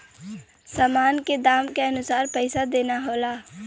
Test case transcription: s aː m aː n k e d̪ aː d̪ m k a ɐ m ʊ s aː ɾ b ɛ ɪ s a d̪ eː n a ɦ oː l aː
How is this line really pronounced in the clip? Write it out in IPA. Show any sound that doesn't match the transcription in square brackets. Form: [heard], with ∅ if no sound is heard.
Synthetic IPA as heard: s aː m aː n k e d̪ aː [∅] m k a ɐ [n] ʊ s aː ɾ [p] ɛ ɪ s a d̪ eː n a ɦ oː l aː